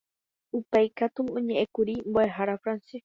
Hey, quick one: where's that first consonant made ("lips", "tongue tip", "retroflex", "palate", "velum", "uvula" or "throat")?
lips